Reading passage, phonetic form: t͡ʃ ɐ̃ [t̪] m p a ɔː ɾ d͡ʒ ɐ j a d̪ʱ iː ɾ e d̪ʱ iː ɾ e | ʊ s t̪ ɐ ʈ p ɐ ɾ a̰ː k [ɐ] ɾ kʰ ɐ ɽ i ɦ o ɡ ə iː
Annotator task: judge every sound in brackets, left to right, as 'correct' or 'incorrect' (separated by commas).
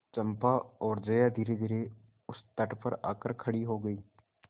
incorrect, incorrect